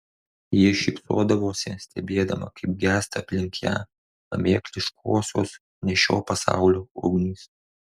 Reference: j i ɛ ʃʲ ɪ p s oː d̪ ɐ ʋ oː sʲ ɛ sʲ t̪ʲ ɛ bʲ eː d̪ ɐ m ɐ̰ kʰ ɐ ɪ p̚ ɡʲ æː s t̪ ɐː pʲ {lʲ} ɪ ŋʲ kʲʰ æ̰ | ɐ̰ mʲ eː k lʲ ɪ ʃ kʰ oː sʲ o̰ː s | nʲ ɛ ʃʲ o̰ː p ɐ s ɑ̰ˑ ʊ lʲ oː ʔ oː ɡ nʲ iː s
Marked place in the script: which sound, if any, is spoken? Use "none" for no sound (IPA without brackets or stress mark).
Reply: lʲ